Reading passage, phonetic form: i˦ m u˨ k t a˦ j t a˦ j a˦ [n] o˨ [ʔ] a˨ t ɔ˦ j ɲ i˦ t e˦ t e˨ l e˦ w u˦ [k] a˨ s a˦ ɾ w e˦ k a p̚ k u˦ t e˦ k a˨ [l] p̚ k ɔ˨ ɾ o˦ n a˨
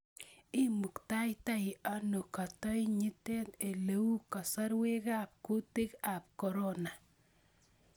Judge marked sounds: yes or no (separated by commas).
yes, no, yes, no